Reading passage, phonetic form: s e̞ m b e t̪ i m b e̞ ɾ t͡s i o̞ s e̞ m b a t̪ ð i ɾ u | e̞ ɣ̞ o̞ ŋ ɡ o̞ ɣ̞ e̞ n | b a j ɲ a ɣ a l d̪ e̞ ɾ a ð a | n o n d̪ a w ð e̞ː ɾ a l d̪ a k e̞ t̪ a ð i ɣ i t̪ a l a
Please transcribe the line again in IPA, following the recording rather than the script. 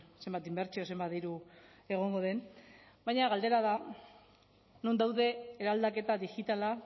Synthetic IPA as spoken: s e̞ m b a t̪ i m b e̞ ɾ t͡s i o̞ s e̞ m b a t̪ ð i ɾ u | e̞ ɣ̞ o̞ ŋ ɡ o̞ ð̞ e̞ n | b a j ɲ a ɣ a l d̪ e̞ ɾ a ð a | n o n d̪ a w ð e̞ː ɾ a l d̪ a k e̞ t̪ a ð i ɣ i t̪ a l a